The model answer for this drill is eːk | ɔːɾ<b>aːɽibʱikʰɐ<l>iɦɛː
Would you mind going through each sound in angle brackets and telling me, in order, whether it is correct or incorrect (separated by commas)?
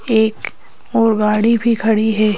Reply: incorrect, incorrect